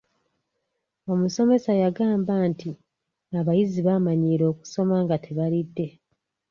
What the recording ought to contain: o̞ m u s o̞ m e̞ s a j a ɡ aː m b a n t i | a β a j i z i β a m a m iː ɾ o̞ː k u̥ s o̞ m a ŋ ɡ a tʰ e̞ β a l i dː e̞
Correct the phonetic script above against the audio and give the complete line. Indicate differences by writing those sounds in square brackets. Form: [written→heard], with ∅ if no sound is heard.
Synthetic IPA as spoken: o̞ m u s o̞ m e̞ s a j a ɡ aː m b a n t i | a β a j i z i β a m a [m→ɲ] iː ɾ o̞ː k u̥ s o̞ m a ŋ ɡ a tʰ e̞ β a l i dː e̞

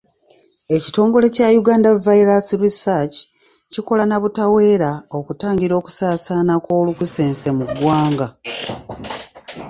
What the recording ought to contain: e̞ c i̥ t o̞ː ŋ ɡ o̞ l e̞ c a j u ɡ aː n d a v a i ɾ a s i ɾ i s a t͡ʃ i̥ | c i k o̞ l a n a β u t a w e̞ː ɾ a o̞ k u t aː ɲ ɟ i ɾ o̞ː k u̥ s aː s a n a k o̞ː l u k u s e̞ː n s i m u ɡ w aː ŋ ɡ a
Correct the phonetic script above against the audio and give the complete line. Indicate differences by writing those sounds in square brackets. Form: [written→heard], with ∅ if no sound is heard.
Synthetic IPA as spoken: e̞ c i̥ t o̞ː ŋ ɡ o̞ l e̞ c a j u ɡ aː n d a v a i ɾ a s i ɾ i s a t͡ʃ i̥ | c i k o̞ l a n a β u t a w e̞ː ɾ a o̞ k u t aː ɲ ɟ i ɾ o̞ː k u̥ s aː s a n a k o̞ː l u k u s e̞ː n s [i→e] m u ɡ w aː ŋ ɡ a

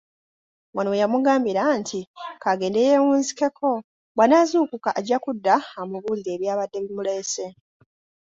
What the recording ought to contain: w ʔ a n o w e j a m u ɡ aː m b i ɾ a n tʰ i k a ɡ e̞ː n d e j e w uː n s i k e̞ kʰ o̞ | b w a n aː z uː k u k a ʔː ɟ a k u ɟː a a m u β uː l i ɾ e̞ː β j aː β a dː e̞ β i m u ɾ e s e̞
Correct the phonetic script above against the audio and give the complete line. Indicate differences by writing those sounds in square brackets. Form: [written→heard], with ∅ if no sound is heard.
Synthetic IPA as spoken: w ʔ a n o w e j a m u ɡ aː m b i ɾ a n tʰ i k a ɡ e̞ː n d e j e w uː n [s→z] i k e̞ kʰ o̞ | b w a n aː z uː k u k a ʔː ɟ a k u [ɟː→dː] a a m u β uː l i ɾ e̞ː β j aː β a dː e̞ β i m u [ɾ→l] e s e̞

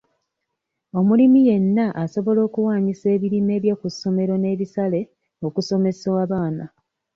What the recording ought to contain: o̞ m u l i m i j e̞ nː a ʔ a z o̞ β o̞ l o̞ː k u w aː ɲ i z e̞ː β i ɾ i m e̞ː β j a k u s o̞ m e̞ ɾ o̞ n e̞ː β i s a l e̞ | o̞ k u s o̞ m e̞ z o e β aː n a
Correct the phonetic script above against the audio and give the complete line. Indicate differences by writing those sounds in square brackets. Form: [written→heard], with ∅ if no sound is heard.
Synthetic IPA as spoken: o̞ m u l i m i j e̞ nː a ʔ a [z→s] o̞ β o̞ l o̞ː k u w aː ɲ i [z→s] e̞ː β i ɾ i m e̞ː β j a k u s o̞ m e̞ ɾ o̞ n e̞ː β i s a l e̞ | o̞ k u s o̞ m e̞ [z→s] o [e→a] β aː n a

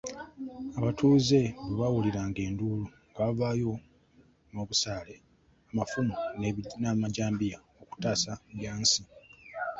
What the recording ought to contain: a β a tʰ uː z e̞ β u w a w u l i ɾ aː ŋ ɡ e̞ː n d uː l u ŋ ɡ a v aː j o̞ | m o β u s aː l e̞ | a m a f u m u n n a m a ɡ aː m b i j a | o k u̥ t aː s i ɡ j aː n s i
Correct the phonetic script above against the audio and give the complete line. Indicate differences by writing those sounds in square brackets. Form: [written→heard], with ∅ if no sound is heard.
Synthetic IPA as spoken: a β a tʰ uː z e̞ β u [w→β] a w u l i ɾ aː ŋ ɡ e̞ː n d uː l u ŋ ɡ a v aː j o̞ | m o β u s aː l e̞ | a m a f u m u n n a m a [ɡ→ɟ] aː m b i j a | o k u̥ t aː s [i→a] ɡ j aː n s i

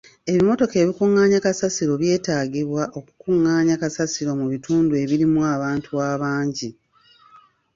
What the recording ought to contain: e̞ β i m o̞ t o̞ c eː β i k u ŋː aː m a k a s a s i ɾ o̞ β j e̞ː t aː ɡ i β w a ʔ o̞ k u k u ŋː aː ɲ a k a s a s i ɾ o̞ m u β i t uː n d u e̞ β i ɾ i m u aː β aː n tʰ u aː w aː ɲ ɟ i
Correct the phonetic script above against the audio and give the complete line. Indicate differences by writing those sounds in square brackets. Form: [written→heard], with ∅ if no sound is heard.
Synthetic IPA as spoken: e̞ β i m o̞ t o̞ [c→k] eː β i k u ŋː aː [m→ɲ] a k a s a s i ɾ o̞ β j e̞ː t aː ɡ i β w a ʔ o̞ k u k u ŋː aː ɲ a k a s a s i ɾ o̞ m u β i t uː n d u e̞ β i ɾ i m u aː β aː n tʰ u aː [w→β] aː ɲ ɟ i

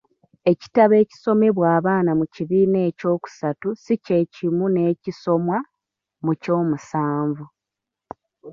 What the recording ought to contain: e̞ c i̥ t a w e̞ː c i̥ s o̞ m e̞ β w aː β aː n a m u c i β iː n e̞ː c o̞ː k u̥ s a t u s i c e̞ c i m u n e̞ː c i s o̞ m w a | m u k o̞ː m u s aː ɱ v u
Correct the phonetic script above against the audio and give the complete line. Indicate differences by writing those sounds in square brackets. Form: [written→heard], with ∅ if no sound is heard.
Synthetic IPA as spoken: e̞ c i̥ t a [w→β] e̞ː c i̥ s o̞ m e̞ β w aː β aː n a m u c i β iː n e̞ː c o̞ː k u̥ s a t u s i c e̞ c i m u n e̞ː c i s o̞ m w a | m u [k→c] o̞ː m u s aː ɱ v u

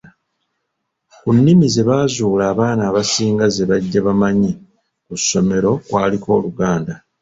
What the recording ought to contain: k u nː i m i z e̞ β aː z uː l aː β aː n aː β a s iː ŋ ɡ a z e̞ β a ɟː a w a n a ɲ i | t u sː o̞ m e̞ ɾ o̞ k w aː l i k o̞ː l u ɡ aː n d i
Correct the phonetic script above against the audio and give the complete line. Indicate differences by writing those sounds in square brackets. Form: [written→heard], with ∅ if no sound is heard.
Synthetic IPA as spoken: k u nː i m i z e̞ β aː z uː l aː β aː n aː β a s iː ŋ ɡ a z e̞ β a ɟː a [w→β] a [n→m] a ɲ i | [t→k] u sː o̞ m e̞ ɾ o̞ k w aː l i k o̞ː l u ɡ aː n d [i→a]

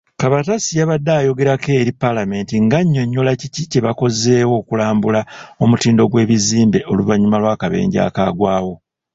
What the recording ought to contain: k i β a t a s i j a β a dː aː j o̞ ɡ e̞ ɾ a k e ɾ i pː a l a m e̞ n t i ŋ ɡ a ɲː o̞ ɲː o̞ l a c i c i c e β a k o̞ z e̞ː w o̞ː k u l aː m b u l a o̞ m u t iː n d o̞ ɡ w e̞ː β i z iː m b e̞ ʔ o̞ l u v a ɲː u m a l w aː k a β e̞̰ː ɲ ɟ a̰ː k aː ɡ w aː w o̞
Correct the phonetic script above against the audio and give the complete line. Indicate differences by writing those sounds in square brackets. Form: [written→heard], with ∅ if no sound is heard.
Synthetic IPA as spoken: k [i→a] β a t a s i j a β a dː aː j o̞ ɡ e̞ ɾ a k e ɾ i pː a l a m e̞ n t i ŋ ɡ a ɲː o̞ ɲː o̞ l a c i c i c e β a k o̞ z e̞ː w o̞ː k u l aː m b u l a o̞ m u t iː n d o̞ ɡ w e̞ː β i z iː m b e̞ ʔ o̞ l u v a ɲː u m a l w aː k a β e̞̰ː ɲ ɟ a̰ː k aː ɡ w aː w o̞

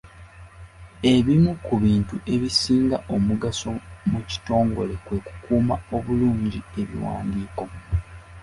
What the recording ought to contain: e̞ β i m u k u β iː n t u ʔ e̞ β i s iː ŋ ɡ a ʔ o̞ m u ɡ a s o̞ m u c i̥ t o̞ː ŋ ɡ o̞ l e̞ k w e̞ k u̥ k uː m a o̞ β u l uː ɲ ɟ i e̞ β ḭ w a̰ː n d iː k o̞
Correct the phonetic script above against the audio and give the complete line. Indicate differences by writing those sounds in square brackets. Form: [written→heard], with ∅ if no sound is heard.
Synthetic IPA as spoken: e̞ β i m u k u β iː n t u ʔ e̞ β i s iː ŋ ɡ a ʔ o̞ m u ɡ a s o̞ m u c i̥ t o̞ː ŋ ɡ o̞ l e̞ k w e̞ k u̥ k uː m a o̞ β u l uː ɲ ɟ i e̞ β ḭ w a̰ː n d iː k o̞

